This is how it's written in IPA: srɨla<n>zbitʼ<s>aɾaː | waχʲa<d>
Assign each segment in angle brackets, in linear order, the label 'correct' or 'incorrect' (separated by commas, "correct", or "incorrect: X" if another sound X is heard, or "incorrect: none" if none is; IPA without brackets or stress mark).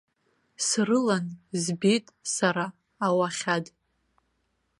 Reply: correct, correct, correct